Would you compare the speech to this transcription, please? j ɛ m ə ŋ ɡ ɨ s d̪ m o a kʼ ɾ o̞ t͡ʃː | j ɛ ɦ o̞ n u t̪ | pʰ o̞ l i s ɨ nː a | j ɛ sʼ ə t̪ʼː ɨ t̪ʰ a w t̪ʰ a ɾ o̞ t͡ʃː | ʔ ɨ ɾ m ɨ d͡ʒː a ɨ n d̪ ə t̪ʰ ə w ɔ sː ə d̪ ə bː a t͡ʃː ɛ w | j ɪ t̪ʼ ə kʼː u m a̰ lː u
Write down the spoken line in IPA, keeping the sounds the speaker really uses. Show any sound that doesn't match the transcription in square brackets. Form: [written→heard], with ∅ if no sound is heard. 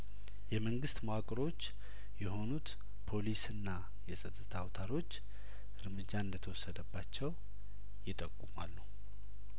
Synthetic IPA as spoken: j ɛ m ə ŋ ɡ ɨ s [d̪→t̪] m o a kʼ ɾ o̞ t͡ʃː | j ɛ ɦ o̞ n u t̪ | pʰ o̞ l i s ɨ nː a | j ɛ sʼ ə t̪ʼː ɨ t̪ʰ a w t̪ʰ a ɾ o̞ t͡ʃː | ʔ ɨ ɾ m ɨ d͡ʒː a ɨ n d̪ ə t̪ʰ ə w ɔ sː ə d̪ ə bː a t͡ʃː ɛ w | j ɪ t̪ʼ ə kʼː u m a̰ lː u